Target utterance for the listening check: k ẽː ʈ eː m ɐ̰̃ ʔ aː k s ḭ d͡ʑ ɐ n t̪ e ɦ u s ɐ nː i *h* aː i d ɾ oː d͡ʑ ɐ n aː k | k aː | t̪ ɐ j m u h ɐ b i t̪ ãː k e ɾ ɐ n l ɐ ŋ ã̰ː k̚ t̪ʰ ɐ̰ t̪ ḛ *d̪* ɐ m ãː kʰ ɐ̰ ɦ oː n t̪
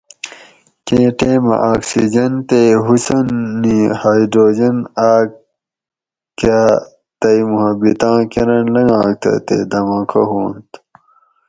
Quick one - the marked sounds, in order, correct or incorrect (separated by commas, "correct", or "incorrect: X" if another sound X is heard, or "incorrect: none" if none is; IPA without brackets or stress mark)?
correct, correct